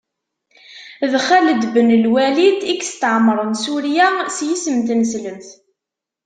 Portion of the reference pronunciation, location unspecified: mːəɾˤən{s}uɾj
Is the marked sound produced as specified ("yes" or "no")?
yes